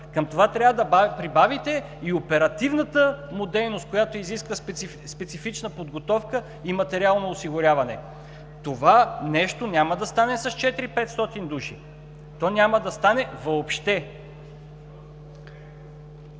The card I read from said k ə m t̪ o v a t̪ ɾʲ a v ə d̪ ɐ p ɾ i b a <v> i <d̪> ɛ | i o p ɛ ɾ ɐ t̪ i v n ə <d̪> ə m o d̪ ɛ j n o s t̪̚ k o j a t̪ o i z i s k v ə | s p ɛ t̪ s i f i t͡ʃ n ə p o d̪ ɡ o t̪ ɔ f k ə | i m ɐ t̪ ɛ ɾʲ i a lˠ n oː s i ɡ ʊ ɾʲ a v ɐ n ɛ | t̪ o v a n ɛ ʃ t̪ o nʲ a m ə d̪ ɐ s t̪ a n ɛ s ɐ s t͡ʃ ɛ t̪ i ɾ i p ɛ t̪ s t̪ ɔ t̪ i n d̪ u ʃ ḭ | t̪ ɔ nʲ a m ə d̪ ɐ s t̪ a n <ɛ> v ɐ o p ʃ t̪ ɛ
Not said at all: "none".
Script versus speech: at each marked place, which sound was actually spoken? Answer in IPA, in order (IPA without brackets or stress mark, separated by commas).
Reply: v, t̪, t̪, ɛ